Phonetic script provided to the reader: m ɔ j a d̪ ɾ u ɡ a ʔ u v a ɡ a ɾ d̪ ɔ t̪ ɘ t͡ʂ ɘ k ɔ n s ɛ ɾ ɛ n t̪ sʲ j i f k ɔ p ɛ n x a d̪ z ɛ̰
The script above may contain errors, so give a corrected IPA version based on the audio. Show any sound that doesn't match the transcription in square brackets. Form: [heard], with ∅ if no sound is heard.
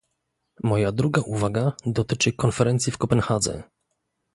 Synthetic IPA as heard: m ɔ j a d̪ ɾ u ɡ a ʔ u v a ɡ a [∅] d̪ ɔ t̪ ɘ t͡ʂ ɘ k ɔ n [f] ɛ ɾ ɛ n t̪ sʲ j i f k ɔ p ɛ n x a d̪ z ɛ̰